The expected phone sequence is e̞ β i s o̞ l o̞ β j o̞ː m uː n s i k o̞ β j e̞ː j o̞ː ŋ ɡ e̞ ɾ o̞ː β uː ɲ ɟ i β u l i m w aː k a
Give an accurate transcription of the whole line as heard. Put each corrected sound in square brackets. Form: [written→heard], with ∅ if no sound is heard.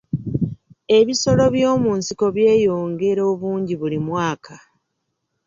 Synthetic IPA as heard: e̞ β i s o̞ l o̞ β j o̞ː m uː n s i k o̞ β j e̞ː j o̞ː ŋ ɡ e̞ ɾ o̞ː β uː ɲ ɟ i β u l i m w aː k a